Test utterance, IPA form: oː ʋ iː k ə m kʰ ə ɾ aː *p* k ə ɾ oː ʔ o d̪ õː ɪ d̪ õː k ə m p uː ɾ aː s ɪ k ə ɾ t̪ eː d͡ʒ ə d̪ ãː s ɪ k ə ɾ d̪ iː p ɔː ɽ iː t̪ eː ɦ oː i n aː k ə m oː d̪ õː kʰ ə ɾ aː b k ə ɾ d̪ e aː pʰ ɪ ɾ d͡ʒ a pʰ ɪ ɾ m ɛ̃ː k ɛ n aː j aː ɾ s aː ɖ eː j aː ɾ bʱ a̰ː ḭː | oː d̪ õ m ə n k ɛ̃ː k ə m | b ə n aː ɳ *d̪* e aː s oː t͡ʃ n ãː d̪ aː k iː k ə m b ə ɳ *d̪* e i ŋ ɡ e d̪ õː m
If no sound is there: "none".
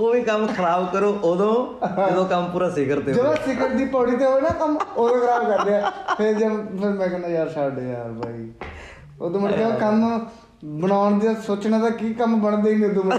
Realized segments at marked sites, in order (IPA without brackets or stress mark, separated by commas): b, d̪, d̪